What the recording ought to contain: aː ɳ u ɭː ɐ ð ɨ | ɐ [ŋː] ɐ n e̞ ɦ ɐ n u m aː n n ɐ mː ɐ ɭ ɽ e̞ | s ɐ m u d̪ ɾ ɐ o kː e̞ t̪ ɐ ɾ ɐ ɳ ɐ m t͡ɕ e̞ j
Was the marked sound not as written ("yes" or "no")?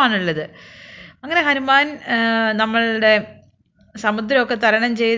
no